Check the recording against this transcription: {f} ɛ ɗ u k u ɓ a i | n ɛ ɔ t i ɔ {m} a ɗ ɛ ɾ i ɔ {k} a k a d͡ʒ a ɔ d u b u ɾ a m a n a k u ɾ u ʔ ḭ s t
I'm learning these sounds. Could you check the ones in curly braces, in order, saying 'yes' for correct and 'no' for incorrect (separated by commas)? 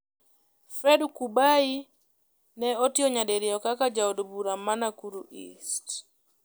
yes, no, yes